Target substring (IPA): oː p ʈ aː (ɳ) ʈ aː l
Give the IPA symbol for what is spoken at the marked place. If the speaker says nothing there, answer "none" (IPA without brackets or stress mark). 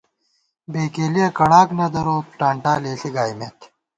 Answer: ɳ